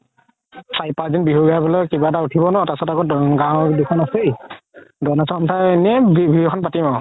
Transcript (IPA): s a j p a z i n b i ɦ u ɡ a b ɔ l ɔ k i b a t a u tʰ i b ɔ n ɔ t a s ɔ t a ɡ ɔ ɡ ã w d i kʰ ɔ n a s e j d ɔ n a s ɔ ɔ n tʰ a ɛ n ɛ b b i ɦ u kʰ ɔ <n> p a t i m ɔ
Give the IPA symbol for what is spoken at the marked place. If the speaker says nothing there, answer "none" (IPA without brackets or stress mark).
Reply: n